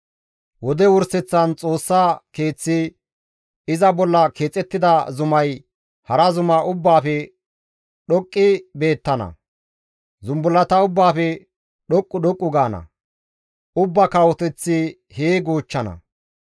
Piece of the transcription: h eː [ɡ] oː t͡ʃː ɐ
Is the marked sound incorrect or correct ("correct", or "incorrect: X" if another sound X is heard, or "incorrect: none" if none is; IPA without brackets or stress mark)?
correct